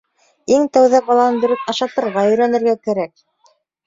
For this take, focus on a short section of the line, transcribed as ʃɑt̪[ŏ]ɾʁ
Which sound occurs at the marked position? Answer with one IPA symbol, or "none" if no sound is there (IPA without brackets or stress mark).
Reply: ɤ̆